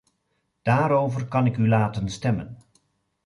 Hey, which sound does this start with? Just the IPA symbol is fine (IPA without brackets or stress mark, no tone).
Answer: d̥